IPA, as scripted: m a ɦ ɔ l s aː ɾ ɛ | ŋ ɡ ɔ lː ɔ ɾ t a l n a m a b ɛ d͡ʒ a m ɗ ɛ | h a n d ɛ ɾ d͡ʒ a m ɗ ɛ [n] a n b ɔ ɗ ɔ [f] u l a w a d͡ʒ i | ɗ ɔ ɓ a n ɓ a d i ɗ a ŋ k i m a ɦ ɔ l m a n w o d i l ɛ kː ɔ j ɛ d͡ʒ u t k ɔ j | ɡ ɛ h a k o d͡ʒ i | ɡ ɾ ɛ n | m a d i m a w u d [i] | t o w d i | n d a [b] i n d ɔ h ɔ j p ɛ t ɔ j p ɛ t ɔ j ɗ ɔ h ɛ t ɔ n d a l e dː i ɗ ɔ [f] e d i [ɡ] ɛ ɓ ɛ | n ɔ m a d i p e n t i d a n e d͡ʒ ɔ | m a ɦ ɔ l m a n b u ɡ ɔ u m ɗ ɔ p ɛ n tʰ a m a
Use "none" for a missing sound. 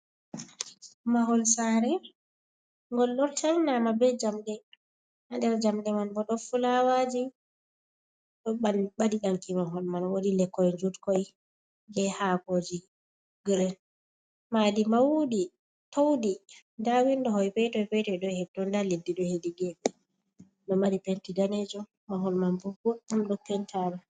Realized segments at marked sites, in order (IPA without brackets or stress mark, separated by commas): m, f, i, w, h, ɡ